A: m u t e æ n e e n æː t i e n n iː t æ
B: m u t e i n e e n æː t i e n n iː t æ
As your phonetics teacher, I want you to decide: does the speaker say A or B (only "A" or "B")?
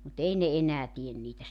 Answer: B